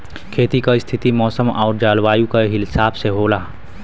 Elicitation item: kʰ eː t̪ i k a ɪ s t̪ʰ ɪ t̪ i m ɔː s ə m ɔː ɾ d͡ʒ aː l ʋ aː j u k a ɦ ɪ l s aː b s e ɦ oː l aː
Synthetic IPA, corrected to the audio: kʰ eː t̪ i k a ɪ s t̪ʰ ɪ t̪ i m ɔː s ə m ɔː ɾ d͡ʒ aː l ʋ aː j u k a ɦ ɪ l s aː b s e ɦ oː l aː